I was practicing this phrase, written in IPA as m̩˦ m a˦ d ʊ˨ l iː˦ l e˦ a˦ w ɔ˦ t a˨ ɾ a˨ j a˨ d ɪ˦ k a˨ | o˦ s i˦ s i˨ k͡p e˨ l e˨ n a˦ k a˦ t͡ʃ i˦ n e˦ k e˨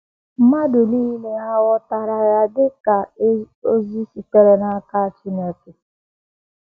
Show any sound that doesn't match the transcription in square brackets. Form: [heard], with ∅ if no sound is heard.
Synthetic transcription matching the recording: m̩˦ m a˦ d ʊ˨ l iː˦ l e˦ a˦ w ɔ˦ t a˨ ɾ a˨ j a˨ d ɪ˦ k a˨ | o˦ [z] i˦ s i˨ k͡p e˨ [ɾ] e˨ n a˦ k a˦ t͡ʃ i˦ n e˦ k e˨